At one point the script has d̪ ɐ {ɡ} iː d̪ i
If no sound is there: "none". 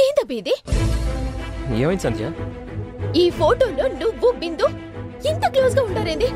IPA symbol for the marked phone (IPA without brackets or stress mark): b